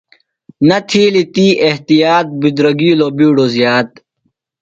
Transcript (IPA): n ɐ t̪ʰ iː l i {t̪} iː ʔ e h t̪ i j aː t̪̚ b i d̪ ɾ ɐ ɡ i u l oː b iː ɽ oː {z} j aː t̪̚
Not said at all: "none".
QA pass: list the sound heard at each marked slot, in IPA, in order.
t̪, z

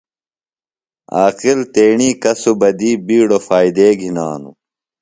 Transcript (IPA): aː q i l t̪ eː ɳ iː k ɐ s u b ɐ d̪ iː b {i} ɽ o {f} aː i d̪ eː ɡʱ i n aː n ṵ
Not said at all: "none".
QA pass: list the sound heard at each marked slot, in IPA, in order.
iː, f

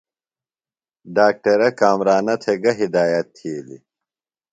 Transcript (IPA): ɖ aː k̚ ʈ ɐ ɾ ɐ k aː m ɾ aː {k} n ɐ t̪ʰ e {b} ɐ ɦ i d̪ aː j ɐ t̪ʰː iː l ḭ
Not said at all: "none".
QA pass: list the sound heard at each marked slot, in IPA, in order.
none, ɡ

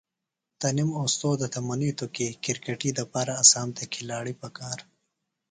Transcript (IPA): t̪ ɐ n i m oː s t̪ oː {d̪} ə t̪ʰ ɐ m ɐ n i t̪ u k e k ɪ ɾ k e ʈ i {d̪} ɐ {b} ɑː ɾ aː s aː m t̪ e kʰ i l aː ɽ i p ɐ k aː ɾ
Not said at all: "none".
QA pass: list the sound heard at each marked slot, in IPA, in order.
d̪, d̪, p

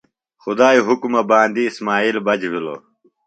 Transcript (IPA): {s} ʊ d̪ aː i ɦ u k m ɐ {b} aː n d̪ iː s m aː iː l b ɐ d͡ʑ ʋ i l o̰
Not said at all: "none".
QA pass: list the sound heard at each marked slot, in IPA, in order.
x, b

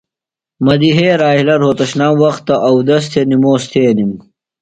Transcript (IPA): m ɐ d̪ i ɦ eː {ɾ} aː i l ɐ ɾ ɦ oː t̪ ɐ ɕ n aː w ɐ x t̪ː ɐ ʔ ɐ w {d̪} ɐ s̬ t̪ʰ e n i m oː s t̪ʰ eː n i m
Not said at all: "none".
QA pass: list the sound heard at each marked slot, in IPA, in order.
ɾ, d̪

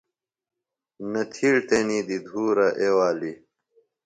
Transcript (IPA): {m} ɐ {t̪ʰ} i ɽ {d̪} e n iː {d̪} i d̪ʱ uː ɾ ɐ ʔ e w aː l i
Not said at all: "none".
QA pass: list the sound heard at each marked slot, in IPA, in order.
n, t̪ʰ, t̪, d̪

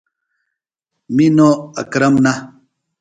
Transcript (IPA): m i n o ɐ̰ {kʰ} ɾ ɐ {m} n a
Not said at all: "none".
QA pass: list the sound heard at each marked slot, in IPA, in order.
k, m

